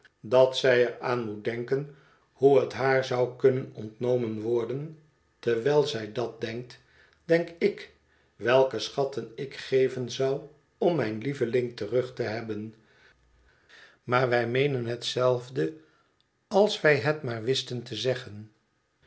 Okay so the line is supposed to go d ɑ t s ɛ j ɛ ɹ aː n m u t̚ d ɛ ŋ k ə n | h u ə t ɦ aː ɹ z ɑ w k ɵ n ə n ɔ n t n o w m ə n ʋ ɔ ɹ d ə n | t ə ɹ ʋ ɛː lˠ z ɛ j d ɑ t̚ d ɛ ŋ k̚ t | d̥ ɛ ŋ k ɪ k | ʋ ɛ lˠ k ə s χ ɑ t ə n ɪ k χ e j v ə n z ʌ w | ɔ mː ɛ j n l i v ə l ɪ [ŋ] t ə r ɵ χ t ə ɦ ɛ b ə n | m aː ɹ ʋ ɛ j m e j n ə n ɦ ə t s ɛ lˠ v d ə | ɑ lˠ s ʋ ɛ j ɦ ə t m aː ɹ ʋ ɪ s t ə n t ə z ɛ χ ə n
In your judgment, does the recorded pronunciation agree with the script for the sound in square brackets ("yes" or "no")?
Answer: yes